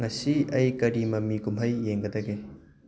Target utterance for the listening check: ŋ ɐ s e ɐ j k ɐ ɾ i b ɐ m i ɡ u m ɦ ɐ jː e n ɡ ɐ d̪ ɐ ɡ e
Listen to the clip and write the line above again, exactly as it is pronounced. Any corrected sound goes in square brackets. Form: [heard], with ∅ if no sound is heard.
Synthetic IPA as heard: ŋ ɐ s [i] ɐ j k ɐ ɾ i [m] ɐ m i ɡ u m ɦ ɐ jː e [ŋ] ɡ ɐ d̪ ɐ ɡ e